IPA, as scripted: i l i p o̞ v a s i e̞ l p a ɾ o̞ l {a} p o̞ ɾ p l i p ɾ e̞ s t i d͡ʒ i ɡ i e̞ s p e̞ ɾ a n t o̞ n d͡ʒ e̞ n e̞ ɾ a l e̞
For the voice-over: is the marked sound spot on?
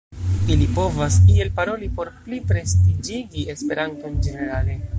no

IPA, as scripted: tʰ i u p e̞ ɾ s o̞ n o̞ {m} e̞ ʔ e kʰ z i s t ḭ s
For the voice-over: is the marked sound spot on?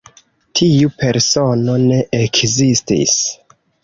no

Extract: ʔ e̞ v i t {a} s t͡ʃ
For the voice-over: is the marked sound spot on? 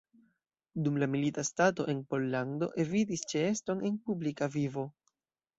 no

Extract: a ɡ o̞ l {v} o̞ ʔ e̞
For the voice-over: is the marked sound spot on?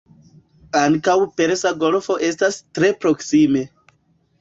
no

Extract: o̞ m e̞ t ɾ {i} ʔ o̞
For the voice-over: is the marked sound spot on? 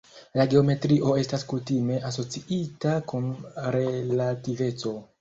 yes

